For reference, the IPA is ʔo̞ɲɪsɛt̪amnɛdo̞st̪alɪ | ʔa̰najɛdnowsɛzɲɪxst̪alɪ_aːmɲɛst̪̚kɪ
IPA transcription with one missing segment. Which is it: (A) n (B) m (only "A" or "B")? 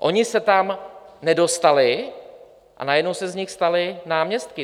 A